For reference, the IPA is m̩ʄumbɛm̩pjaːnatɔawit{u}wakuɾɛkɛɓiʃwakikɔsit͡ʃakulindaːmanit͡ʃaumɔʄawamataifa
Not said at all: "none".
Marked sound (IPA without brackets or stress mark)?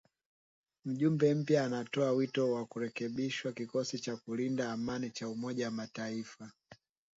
ɔ